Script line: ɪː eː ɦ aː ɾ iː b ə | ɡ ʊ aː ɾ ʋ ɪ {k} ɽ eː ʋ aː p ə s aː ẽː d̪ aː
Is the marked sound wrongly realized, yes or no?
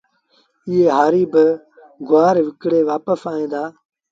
no